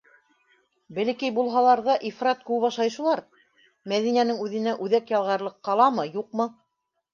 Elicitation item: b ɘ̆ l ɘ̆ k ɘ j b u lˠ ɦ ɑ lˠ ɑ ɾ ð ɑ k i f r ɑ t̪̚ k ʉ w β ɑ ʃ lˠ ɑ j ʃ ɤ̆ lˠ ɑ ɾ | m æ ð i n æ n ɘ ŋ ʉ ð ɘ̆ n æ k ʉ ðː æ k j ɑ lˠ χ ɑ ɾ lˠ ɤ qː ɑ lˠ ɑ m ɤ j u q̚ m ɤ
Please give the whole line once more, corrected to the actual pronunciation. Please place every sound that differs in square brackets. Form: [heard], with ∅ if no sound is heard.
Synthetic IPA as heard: b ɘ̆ l ɘ̆ k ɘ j b u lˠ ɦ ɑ lˠ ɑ ɾ ð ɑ [ʔ] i f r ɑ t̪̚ k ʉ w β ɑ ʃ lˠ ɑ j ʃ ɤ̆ lˠ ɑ ɾ | m æ ð i n æ n ɘ ŋ ʉ ð ɘ̆ n æ [ʔ] ʉ [ð] æ k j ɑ lˠ [ʁ] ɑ ɾ lˠ ɤ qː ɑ lˠ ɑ m ɤ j u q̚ m ɤ